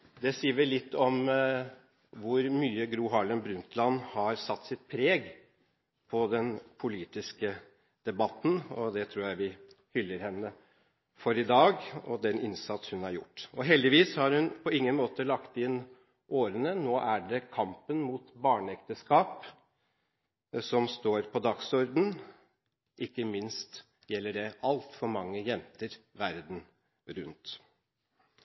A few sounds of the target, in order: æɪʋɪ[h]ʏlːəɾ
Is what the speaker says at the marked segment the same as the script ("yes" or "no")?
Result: yes